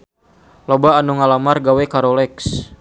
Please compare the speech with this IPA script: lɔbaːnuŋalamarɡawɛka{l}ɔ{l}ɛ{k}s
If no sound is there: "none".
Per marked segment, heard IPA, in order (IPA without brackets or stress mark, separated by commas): ɾ, l, k